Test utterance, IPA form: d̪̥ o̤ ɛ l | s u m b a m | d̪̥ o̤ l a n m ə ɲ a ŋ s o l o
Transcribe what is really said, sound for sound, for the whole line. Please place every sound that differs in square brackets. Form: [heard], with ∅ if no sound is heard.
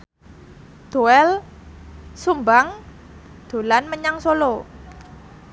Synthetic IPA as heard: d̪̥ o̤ ɛ l | s u m b a [ŋ] | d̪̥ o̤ l a n m ə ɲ a ŋ s o l o